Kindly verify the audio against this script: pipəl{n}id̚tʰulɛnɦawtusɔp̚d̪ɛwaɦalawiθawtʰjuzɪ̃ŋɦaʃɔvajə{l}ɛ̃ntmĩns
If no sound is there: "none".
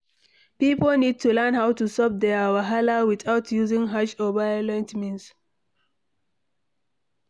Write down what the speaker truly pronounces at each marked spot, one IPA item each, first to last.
n, l

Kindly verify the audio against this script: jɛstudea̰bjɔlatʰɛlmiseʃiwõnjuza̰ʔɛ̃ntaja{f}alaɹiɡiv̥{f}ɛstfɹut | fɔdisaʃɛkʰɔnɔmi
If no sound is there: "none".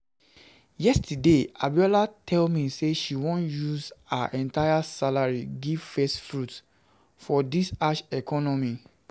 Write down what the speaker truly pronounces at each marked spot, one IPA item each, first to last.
s, f

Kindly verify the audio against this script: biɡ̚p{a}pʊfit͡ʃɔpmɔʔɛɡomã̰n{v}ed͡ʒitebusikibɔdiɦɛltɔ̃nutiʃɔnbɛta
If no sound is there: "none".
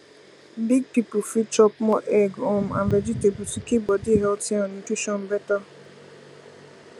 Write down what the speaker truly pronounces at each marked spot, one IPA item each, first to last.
i, v

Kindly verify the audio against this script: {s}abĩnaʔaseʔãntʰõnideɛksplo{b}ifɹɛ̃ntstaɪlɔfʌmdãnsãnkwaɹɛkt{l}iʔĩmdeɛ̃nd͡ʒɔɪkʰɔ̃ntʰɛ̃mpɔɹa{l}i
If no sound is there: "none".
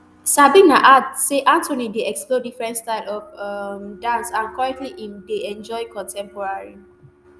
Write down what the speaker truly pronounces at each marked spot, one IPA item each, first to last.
s, d, l, ɹ

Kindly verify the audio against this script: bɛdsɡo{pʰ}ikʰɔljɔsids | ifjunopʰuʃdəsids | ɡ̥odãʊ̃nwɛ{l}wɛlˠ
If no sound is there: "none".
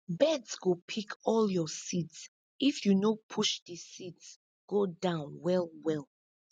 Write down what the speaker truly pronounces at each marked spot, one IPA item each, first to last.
pʰ, l

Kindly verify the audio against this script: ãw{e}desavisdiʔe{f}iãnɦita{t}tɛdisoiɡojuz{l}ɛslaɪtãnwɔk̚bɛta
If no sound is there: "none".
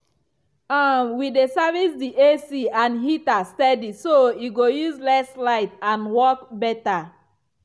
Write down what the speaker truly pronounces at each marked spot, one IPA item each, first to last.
i, s, s, l

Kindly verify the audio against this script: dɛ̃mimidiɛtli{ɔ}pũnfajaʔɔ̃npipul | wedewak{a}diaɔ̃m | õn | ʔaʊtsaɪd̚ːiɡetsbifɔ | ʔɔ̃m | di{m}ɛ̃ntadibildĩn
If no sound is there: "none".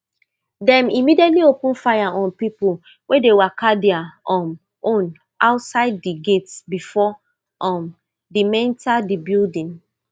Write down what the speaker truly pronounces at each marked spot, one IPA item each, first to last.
o, a, m

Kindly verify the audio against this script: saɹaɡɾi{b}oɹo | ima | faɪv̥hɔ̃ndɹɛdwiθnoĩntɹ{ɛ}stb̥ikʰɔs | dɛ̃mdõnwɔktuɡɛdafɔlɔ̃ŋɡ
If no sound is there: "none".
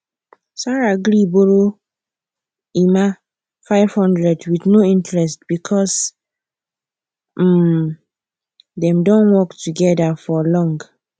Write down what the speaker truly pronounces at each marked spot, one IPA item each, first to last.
b, ɛ

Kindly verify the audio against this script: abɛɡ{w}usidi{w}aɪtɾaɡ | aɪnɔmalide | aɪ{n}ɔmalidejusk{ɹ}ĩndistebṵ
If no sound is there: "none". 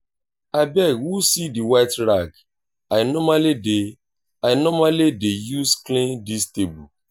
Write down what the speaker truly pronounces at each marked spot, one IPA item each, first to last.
w, w, n, l

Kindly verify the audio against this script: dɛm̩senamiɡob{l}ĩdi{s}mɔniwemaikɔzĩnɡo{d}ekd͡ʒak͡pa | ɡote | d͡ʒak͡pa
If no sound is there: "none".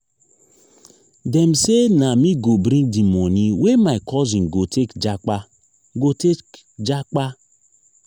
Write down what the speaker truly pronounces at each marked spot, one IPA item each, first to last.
ɾ, none, t

